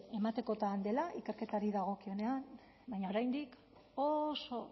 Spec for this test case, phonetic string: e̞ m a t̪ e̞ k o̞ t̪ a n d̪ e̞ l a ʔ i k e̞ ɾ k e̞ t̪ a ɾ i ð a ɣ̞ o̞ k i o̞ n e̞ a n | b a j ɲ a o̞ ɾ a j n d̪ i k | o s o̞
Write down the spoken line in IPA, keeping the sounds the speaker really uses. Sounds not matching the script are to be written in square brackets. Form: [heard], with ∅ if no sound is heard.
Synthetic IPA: e̞ m a t̪ e̞ k o̞ t̪ a n d̪ e̞ l a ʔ i k e̞ ɾ k e̞ t̪ a ɾ i ð a ɣ̞ o̞ k i o̞ n e̞ a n | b a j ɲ a o̞ ɾ a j n d̪ i k | o s o̞